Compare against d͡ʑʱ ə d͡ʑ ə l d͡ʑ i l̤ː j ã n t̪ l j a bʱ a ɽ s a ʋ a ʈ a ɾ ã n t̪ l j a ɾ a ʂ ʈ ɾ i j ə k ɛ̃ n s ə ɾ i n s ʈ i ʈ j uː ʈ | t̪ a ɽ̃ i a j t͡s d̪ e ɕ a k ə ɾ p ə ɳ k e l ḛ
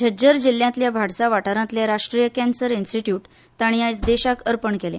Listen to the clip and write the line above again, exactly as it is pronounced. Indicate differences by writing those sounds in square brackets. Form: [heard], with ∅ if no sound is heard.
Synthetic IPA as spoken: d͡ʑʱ ə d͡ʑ ə [ɾ] d͡ʑ i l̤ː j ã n t̪ l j a bʱ a ɽ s a ʋ a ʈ a ɾ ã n t̪ l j a ɾ a ʂ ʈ ɾ i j ə k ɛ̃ n s ə ɾ i n s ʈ i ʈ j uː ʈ | t̪ a ɽ̃ i a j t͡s d̪ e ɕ a k ə ɾ p ə ɳ k e l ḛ